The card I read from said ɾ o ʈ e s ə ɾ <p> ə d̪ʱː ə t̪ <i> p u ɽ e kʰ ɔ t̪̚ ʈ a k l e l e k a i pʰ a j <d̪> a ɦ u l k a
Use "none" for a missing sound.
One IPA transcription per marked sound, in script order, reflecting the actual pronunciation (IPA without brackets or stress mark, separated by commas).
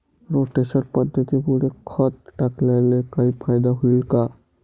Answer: p, i, d̪